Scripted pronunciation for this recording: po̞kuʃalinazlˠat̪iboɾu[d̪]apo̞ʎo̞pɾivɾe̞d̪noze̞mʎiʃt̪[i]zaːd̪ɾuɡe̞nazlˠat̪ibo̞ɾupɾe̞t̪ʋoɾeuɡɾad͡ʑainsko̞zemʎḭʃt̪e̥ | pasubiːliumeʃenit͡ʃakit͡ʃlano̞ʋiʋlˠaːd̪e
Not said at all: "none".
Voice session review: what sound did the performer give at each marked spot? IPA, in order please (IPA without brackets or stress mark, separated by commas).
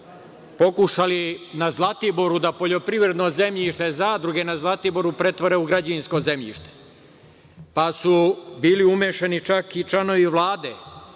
d̪, e